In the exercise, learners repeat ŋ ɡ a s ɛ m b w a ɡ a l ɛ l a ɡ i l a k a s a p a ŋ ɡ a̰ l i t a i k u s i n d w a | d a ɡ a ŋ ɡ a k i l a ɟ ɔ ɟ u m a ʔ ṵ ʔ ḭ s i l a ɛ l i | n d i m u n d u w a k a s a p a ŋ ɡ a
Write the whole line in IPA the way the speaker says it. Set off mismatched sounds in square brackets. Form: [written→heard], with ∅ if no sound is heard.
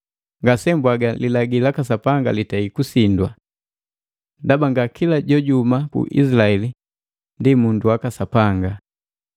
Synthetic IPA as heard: ŋ ɡ a s ɛ m b w a ɡ a l [ɛ→i] l a ɡ i l a k a s a p a ŋ ɡ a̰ l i t a i k u s i n d w a | d a [ɡ→b] a ŋ ɡ a k i l a ɟ ɔ ɟ u m a [ʔ→k] ṵ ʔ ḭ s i l a ɛ l i | n d i m u n d u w a k a s a p a ŋ ɡ a